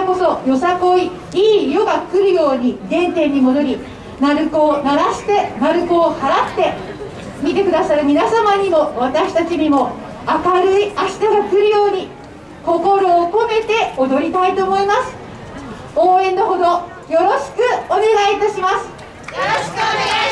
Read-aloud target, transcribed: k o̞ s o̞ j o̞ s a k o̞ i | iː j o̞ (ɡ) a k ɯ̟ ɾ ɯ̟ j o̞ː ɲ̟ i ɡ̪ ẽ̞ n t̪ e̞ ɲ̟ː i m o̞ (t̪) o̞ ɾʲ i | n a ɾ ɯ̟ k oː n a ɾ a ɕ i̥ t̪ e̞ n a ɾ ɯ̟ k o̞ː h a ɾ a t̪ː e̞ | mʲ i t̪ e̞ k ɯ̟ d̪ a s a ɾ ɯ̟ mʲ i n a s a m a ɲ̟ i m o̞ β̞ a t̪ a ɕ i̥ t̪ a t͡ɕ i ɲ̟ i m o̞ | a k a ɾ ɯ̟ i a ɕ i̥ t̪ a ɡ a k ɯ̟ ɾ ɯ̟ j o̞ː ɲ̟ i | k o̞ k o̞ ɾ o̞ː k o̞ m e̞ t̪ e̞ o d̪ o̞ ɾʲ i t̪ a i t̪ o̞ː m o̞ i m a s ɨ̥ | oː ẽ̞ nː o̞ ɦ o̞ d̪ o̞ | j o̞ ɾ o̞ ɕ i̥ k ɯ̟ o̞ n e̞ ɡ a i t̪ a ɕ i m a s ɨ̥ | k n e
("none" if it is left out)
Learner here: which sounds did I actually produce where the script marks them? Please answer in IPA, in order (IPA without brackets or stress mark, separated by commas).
ɡ, d̪